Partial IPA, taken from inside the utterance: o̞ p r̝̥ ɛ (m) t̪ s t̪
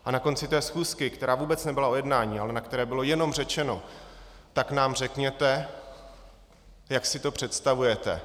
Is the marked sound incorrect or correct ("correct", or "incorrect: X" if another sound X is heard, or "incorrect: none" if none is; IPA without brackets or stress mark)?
incorrect: none